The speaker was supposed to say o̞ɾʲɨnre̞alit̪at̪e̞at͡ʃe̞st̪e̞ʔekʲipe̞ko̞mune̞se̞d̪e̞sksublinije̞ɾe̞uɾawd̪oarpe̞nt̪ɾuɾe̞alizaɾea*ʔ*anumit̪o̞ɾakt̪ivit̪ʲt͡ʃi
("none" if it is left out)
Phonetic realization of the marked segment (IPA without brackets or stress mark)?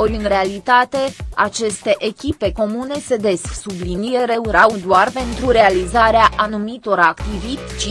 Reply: ʔ